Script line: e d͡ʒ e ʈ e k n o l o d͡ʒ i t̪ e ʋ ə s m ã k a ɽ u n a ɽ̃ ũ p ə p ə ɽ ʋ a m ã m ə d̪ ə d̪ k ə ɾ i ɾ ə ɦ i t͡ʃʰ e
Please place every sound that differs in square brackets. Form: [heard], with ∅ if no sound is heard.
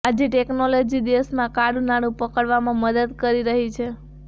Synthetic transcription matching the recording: [a] d͡ʒ e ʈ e k n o l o d͡ʒ i [d̪] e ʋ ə s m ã k a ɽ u n a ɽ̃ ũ p ə [k] ə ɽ ʋ a m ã m ə d̪ ə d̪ k ə ɾ i ɾ ə ɦ i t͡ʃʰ e